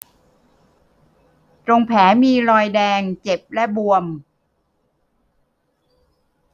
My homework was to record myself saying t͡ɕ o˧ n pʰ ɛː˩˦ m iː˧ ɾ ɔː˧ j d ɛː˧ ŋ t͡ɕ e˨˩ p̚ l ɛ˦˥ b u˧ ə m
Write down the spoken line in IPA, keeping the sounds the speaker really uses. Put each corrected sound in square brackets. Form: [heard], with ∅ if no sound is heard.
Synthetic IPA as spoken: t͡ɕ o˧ [ŋ] pʰ ɛː˩˦ m iː˧ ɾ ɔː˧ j d ɛː˧ ŋ t͡ɕ e˨˩ p̚ l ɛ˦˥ b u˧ ə m